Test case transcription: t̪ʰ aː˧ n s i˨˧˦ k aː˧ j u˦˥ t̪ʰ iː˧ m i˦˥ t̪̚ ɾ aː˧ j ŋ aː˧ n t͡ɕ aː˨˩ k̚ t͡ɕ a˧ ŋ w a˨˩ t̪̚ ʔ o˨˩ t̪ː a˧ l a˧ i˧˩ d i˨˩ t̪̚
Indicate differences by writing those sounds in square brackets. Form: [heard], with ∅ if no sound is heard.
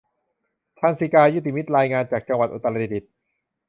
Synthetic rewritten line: t̪ʰ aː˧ n s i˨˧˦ k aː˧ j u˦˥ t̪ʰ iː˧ m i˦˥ t̪̚ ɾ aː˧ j ŋ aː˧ n t͡ɕ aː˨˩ k̚ t͡ɕ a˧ ŋ w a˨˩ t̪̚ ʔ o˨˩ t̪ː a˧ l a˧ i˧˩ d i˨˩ t̪̚